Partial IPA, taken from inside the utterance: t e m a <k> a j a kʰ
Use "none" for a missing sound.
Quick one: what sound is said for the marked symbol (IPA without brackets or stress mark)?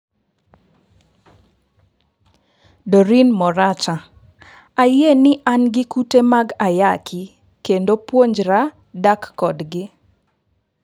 ɡ